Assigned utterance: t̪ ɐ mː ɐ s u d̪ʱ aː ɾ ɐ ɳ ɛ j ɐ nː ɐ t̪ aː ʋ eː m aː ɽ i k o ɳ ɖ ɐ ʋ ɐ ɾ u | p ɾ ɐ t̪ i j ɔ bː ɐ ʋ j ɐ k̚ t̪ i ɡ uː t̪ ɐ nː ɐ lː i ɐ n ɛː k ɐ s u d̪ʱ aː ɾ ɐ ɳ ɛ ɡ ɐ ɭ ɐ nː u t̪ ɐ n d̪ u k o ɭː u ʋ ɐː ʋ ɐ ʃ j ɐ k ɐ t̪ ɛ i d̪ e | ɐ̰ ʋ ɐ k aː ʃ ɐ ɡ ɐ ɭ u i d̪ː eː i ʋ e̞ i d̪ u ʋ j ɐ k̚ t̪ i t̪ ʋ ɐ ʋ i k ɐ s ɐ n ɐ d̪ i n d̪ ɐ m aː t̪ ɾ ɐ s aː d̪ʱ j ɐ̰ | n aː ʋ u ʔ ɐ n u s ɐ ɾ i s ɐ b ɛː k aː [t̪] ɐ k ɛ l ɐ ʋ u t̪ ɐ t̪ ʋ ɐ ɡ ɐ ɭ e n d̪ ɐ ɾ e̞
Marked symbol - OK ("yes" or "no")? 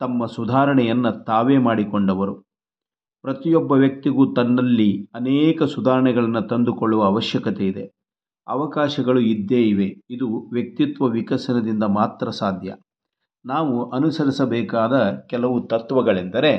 no